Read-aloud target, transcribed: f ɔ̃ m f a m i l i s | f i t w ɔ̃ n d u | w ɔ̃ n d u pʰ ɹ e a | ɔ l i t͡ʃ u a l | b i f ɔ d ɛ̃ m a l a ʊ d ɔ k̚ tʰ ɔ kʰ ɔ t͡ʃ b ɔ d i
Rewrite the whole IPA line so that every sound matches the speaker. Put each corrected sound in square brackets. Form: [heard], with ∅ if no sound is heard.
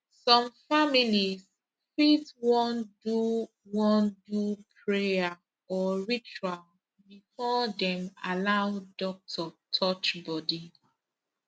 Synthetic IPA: [s] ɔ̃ m f a m i l i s | f i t w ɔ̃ n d u | w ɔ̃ n d u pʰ ɹ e a | ɔ [ɹ] i t͡ʃ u a l | b i f ɔ d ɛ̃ m a l a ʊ d ɔ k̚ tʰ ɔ [tʰ] ɔ t͡ʃ b ɔ d i